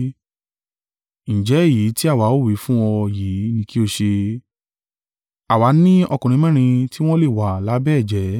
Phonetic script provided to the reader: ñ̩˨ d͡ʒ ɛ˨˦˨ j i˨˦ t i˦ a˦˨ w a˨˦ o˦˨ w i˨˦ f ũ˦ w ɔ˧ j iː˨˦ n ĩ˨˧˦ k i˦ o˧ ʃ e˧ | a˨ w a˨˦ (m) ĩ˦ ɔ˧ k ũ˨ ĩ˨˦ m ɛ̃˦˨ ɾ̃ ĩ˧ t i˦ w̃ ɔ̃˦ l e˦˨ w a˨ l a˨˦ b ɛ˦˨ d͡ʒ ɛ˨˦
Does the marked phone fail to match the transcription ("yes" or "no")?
yes